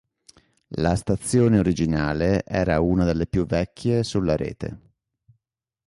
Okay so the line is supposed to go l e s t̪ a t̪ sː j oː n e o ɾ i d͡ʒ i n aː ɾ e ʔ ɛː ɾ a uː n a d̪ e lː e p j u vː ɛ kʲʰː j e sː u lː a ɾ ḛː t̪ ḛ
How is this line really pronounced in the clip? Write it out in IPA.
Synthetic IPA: l a s t̪ a t̪ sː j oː n e o ɾ i d͡ʒ i n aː l e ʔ ɛː ɾ a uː n a d̪ e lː e p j u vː ɛ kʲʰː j e s u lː a ɾ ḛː t̪ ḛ